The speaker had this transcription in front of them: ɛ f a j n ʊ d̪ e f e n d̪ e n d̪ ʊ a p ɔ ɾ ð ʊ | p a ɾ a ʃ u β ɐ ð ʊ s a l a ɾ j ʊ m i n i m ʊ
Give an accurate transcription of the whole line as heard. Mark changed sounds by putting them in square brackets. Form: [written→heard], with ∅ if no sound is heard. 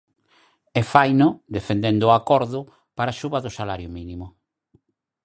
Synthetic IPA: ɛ f a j n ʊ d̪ e f e n d̪ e n d̪ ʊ a [p→k] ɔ ɾ ð ʊ | p a ɾ a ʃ u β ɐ ð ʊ s a l a ɾ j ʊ m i n i m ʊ